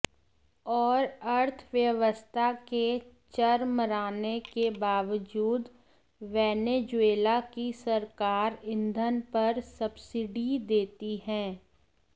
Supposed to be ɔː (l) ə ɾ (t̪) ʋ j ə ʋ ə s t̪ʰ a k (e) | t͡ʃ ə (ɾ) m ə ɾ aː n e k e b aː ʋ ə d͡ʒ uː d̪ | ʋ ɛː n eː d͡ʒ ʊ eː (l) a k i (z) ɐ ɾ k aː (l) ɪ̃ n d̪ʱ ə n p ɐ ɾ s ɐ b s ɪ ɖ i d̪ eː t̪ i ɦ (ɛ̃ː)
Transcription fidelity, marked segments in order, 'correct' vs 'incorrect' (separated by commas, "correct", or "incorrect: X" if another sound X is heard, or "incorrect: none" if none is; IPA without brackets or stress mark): incorrect: ɾ, incorrect: t̪ʰ, correct, correct, correct, incorrect: s, incorrect: ɾ, correct